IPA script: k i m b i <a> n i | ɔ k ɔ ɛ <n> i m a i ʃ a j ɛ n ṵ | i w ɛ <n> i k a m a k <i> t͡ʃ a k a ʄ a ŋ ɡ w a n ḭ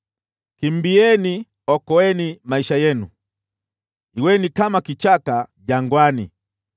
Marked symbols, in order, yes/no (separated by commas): no, yes, yes, yes